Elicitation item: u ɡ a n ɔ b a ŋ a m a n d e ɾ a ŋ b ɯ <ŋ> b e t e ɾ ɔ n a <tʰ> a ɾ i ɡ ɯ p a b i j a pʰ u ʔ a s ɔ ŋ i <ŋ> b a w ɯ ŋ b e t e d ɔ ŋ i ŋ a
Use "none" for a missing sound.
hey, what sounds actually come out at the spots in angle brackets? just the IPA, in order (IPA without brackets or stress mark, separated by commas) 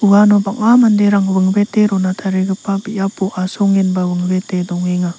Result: ŋ, tʰ, n